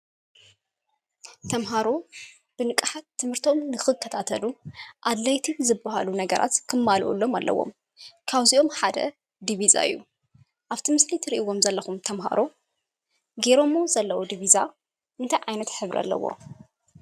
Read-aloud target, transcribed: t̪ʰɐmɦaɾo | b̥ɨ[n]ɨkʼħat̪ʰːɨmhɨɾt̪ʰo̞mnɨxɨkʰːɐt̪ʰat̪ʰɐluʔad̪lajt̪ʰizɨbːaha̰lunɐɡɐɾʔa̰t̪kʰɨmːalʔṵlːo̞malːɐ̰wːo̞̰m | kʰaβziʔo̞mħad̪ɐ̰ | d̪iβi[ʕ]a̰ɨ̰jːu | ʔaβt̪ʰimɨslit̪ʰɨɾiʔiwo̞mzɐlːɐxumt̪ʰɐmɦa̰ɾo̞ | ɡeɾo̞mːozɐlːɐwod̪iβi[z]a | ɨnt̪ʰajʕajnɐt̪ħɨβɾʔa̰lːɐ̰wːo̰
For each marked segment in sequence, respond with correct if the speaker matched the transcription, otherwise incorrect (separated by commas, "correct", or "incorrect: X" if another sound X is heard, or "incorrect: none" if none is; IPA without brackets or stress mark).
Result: correct, incorrect: z, correct